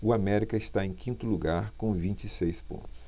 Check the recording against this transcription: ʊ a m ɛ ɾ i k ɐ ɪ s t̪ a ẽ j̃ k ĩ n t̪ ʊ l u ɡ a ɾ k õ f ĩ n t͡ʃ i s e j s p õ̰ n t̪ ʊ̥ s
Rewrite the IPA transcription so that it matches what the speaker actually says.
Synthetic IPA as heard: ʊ a m ɛ ɾ i k ɐ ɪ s t̪ a ẽ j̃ k ĩ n t̪ ʊ l u ɡ a ɾ k õ v ĩ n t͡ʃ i s e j s p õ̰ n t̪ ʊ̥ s